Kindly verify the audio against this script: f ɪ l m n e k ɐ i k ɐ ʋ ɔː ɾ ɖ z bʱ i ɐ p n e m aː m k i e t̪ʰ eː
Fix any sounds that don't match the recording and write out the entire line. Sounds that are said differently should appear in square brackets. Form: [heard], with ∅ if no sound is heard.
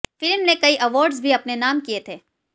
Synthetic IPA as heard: f ɪ l m n e k ɐ i [ʔ] ɐ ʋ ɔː ɾ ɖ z bʱ i ɐ p n e [n] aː m k i e t̪ʰ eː

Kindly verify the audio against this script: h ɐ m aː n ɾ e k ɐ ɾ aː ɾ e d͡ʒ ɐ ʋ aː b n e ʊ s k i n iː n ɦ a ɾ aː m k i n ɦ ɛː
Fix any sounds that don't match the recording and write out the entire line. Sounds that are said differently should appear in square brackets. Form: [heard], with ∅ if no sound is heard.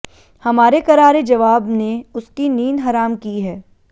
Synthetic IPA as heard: h ɐ m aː [∅] ɾ e k ɐ ɾ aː ɾ e d͡ʒ ɐ ʋ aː b n e ʊ s k i n iː n ɦ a ɾ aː m k i [∅] ɦ ɛː

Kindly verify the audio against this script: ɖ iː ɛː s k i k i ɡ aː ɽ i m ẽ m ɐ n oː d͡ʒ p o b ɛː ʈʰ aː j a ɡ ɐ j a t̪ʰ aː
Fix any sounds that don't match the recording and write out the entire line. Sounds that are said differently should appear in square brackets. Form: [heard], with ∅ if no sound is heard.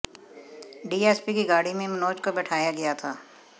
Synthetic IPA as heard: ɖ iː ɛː s [p] i k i ɡ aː ɽ i m ẽ m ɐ n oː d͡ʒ [k] o b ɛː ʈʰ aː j a ɡ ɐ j a t̪ʰ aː

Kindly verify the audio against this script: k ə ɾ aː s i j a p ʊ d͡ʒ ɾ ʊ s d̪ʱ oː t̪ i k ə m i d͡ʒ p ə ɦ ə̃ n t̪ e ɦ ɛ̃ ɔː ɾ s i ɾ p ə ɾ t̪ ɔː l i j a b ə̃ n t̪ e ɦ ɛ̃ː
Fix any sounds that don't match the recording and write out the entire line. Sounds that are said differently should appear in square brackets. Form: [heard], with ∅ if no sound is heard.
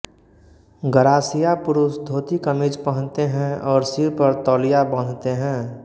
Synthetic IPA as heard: [ɡ] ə ɾ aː s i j a p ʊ [∅] ɾ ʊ s d̪ʱ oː t̪ i k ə m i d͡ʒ p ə ɦ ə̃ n t̪ e ɦ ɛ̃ ɔː ɾ s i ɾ p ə ɾ t̪ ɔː l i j a b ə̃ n t̪ e ɦ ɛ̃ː

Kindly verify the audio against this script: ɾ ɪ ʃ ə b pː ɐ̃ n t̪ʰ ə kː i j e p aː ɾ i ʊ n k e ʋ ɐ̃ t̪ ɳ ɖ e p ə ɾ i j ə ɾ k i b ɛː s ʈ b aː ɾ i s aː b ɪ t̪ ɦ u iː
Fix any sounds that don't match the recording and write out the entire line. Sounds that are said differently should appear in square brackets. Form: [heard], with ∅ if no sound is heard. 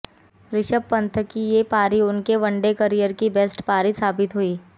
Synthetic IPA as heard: ɾ ɪ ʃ ə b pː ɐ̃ n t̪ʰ ə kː i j e p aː ɾ i ʊ n k e ʋ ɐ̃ [∅] ɳ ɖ e [k] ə ɾ i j ə ɾ k i b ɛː s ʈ [p] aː ɾ i s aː b ɪ t̪ ɦ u iː

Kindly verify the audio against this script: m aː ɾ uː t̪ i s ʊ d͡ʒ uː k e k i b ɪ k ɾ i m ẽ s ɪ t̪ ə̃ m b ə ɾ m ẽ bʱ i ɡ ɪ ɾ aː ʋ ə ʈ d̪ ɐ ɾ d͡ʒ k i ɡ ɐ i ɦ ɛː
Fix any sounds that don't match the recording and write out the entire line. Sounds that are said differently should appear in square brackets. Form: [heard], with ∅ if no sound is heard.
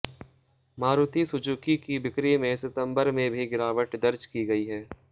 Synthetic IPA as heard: m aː ɾ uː t̪ i s ʊ d͡ʒ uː k [i] k i b ɪ k ɾ i m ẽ s ɪ t̪ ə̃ m b ə ɾ m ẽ bʱ i ɡ ɪ ɾ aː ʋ ə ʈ d̪ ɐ ɾ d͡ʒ k i ɡ ɐ i ɦ ɛː

